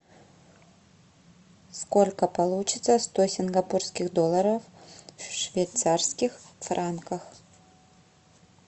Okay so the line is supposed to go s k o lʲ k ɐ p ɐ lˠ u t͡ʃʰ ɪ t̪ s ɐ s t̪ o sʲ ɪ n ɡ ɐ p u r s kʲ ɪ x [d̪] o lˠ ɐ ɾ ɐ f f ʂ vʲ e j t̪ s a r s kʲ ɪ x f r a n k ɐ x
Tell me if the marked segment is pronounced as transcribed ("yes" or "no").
yes